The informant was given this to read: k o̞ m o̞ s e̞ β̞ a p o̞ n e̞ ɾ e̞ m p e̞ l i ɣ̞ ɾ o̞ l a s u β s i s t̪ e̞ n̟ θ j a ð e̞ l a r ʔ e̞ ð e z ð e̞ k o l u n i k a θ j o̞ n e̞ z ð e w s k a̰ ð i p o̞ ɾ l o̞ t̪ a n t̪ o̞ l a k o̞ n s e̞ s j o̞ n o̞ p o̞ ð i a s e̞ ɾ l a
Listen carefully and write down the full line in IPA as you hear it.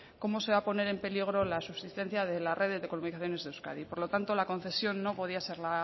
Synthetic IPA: k o̞ m o̞ s e̞ β̞ a p o̞ n e̞ ɾ e̞ m p e̞ l i ɣ̞ ɾ o̞ l a s u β s i s t̪ e̞ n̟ θ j a ð e̞ l a r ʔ e̞ ð e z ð e̞ k o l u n i k a θ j o̞ n e̞ z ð e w s k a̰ ð i p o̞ ɾ l o̞ t̪ a n t̪ o̞ l a k o̞ n θ e̞ s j o̞ nː o̞ p o̞ ð i a s e̞ ɾ l a

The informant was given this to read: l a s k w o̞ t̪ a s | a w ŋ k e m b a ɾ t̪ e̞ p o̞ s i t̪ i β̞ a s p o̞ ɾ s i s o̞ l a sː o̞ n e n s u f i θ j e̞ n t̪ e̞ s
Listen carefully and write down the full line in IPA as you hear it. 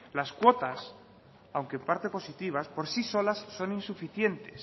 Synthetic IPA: l a s k w o̞ t̪ a s | a w ŋ k e m p a ɾ t̪ e̞ p o̞ s i t̪ i β̞ a s p o̞ ɾ s i s o̞ l a sː o̞ n i n s u f i θ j e̞ n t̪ e̞ s

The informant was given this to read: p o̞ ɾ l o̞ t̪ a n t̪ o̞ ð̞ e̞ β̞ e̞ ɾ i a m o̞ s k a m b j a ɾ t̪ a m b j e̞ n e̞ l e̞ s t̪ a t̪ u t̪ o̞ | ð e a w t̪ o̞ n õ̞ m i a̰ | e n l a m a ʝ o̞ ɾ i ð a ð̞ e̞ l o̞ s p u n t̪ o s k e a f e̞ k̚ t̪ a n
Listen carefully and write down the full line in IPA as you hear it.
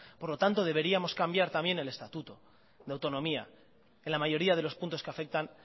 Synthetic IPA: p o̞ ɾ l o̞ t̪ a n t̪ o̞ ð̞ e̞ β̞ e̞ ɾ i a m o̞ s k a m b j a ɾ t̪ a m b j e̞ n e̞ l e̞ s t̪ a t̪ u t̪ o̞ | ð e a w t̪ o̞ n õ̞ m i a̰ | e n l a m a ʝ o̞ ɾ i a ð̞ e̞ l o̞ s p u n t̪ o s k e a f e̞ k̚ t̪ a n

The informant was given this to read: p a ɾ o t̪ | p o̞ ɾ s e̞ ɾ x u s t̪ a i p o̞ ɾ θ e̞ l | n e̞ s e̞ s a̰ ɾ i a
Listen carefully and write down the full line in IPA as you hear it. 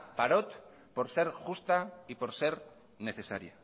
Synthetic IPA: p a ɾ o t̪ | p o̞ ɾ s e̞ ɾ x u s t̪ a i p o̞ ɾ s e̞ ɾ | n e̞ θ e̞ s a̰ ɾ j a

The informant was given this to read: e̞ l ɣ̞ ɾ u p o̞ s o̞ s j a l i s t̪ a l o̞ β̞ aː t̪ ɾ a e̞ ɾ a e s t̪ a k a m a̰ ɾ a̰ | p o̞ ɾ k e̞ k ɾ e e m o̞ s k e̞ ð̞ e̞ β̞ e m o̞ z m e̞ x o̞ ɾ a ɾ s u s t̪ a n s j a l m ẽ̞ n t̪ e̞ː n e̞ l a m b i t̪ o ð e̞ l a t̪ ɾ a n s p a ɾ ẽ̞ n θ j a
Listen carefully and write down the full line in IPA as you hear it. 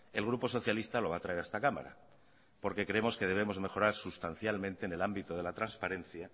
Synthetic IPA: e̞ l ɣ̞ ɾ u p o̞ s o̞ θ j a l i s t̪ a l o̞ β̞ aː t̪ ɾ a e̞ ɾ a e s t̪ a k a m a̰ ɾ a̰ | p o̞ ɾ k e̞ k ɾ e e m o̞ s k e̞ ð̞ e̞ β̞ e m o̞ z m e̞ x o̞ ɾ a ɾ s u s t̪ a n θ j a l m ẽ̞ n t̪ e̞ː n e̞ l a m b i t̪ o ð e̞ l a t̪ ɾ a n s p a ɾ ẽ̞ n θ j a

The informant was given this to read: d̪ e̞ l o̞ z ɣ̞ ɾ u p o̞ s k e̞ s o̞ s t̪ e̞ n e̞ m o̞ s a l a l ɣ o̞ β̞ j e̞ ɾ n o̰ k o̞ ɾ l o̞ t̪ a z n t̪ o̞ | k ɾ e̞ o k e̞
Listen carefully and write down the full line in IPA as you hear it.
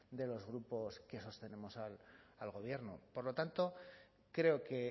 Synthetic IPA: d̪ e̞ l o̞ z ɣ̞ ɾ u p o̞ s k e̞ s o̞ s t̪ e̞ n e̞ m o̞ s a l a l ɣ o̞ β̞ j e̞ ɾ n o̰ p o̞ ɾ l o̞ t̪ a n t̪ o̞ | k ɾ e̞ o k e̞

